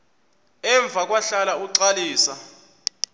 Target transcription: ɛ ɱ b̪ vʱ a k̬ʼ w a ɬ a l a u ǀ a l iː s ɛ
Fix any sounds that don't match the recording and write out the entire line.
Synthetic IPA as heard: ɛ ɱ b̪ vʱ a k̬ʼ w a ɬ a l a u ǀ a l iː s a